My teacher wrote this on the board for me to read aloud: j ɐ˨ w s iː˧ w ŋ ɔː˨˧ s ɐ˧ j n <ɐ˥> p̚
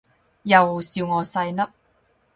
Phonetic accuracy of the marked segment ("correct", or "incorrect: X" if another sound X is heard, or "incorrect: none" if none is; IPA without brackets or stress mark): correct